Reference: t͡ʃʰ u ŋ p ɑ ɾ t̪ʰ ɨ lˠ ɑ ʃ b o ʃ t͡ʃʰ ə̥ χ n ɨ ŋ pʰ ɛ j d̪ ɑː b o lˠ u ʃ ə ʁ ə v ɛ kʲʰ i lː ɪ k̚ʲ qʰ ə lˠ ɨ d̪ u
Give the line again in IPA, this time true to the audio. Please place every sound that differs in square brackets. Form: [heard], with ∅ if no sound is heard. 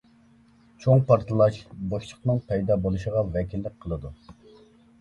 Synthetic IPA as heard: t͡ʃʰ [o] ŋ p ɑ ɾ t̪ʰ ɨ lˠ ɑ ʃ b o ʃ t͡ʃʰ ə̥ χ n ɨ ŋ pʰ ɛ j d̪ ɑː b o lˠ u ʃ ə ʁ [ɑ] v ɛ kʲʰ i lː ɪ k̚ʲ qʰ ə lˠ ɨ d̪ u

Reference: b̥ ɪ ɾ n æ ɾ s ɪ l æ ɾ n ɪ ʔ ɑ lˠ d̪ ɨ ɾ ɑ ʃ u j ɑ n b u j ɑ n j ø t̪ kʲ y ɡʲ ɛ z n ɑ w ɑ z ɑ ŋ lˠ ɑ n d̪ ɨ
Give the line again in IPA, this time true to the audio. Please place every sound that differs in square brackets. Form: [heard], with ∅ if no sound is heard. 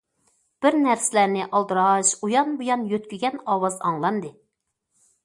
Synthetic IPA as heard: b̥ ɪ ɾ n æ ɾ s ɪ l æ ɾ n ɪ ʔ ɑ lˠ d̪ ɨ ɾ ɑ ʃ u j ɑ n b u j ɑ n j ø t̪ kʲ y ɡʲ ɛ [∅] n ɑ w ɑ z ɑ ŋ lˠ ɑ n d̪ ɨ

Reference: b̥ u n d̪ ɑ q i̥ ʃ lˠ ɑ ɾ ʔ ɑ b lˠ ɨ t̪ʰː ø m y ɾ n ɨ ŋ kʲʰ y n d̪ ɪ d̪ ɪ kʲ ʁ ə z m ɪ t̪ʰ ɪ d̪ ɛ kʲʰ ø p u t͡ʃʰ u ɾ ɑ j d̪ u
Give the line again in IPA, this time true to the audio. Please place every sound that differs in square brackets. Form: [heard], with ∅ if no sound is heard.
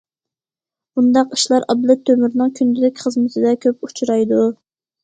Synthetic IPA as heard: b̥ u n d̪ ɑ q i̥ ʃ lˠ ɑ ɾ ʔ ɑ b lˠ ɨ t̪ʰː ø m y ɾ n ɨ ŋ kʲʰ y n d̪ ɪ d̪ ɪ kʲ [χ] ə z m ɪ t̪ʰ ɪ d̪ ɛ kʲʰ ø p u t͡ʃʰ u ɾ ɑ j d̪ u

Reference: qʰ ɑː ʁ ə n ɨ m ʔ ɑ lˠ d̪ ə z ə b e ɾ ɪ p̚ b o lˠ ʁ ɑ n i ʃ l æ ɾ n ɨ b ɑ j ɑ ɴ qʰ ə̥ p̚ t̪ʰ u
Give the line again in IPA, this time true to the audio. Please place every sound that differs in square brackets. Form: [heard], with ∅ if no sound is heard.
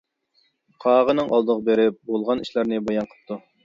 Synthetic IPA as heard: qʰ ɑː ʁ ə n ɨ [ŋ] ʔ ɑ lˠ d̪ ə [ʁ] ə b e ɾ ɪ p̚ b o lˠ ʁ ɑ n i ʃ l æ ɾ n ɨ b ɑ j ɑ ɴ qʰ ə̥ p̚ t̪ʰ u

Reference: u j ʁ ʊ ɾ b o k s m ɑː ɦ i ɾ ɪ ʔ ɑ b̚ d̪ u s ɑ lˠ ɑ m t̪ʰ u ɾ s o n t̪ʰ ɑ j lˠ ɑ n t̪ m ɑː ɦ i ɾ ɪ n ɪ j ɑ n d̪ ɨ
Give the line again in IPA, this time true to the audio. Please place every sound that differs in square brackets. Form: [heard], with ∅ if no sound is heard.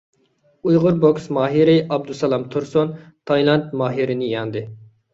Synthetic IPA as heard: u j ʁ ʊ ɾ b o k s m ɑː ɦ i ɾ ɪ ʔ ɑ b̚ d̪ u s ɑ lˠ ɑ m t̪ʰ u ɾ s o n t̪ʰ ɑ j lˠ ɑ n t̪ m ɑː ɦ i ɾ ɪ n ɪ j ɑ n d̪ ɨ

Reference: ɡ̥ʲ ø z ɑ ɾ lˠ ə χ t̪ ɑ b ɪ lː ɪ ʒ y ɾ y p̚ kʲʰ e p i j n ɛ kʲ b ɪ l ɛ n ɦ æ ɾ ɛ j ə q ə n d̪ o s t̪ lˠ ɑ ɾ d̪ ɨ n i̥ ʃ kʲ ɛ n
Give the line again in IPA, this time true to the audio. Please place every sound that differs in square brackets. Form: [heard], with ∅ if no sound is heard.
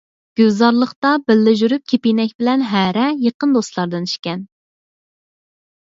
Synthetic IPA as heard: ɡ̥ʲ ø z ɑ ɾ lˠ ə χ t̪ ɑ b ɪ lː ɪ ʒ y ɾ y p̚ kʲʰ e p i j n ɛ kʲ b ɪ l ɛ n ɦ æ ɾ ɛ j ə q ə n d̪ o s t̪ lˠ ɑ ɾ d̪ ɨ n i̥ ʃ kʲ ɛ n

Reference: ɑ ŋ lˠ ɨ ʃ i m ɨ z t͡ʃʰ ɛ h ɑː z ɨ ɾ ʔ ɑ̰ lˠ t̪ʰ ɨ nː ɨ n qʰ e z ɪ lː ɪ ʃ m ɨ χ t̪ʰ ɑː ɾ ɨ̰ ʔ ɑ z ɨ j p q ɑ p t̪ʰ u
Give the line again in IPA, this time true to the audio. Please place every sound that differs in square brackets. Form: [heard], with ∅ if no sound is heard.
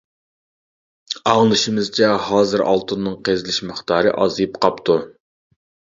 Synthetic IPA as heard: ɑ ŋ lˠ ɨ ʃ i m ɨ z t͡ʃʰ ɛ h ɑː z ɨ ɾ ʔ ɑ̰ lˠ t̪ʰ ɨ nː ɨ [ŋ] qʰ e z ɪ [l] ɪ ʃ m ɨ χ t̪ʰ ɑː ɾ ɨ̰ ʔ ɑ z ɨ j p q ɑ p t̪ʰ u

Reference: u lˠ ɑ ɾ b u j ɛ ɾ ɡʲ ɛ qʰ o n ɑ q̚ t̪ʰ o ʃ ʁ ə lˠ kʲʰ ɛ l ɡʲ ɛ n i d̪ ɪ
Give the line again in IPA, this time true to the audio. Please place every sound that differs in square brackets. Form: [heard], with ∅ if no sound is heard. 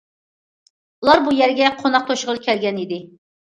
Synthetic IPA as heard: u lˠ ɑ ɾ b u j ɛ ɾ ɡʲ ɛ qʰ o n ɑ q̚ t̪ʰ o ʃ ʁ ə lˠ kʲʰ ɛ l ɡʲ ɛ n i d̪ ɪ

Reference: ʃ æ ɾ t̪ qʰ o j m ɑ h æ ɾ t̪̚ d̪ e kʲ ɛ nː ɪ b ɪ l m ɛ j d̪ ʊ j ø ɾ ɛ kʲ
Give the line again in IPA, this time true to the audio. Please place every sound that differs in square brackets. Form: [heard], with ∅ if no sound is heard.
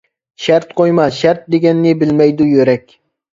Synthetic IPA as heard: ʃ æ ɾ t̪ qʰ o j m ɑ [ʃ] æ ɾ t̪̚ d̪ e [ɡʲ] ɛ nː ɪ b ɪ l m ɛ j d̪ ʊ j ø ɾ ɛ kʲ

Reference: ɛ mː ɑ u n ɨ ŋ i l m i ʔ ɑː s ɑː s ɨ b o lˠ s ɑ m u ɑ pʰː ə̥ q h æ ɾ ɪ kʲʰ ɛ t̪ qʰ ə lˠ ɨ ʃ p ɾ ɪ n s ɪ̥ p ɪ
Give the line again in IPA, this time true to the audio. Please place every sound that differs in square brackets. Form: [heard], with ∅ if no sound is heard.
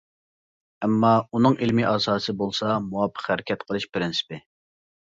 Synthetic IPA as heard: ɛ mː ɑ u n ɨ ŋ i l m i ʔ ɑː s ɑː s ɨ b o lˠ s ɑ m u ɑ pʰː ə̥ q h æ ɾ ɪ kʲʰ ɛ t̪ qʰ ə lˠ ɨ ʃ p ɾ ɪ n s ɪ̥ p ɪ

